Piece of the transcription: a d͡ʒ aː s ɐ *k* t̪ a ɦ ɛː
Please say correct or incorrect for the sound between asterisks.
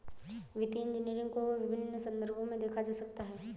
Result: correct